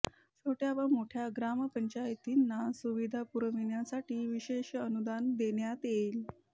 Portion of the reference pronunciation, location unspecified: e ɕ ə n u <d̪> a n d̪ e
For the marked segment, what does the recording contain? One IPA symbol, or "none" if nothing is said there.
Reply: d̪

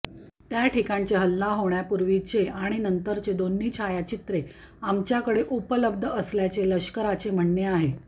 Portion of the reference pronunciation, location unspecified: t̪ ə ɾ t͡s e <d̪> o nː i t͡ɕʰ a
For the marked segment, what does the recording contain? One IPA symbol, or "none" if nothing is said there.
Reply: d̪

